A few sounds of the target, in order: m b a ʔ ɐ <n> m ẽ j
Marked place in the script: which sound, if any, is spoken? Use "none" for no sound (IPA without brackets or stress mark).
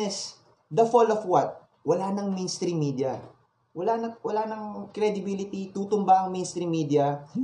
ŋ